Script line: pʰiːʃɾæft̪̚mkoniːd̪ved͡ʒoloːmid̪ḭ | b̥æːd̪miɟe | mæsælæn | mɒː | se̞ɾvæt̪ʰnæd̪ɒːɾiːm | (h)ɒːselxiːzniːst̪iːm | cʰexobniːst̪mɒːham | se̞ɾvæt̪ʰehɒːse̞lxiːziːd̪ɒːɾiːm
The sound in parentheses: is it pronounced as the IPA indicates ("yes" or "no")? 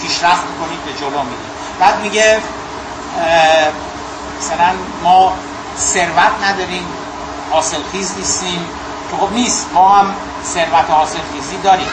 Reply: yes